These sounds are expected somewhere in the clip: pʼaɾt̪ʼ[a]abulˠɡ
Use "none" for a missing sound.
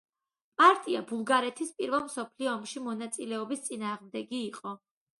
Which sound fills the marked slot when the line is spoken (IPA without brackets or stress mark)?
i